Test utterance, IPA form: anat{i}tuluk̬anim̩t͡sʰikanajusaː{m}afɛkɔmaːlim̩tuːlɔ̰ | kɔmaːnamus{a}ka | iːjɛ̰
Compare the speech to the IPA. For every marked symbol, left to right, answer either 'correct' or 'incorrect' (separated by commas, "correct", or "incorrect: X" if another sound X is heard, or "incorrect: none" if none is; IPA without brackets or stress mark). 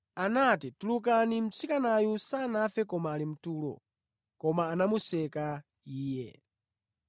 correct, incorrect: n, incorrect: ɛ